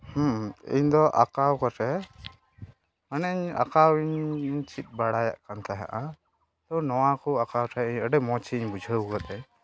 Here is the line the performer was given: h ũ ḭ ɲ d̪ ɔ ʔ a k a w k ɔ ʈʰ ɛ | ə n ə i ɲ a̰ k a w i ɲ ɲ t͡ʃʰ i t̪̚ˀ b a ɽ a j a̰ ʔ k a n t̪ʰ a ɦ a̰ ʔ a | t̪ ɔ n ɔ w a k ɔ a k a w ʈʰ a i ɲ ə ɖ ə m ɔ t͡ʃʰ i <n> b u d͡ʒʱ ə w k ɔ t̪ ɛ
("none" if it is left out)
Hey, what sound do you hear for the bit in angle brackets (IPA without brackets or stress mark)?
ɲ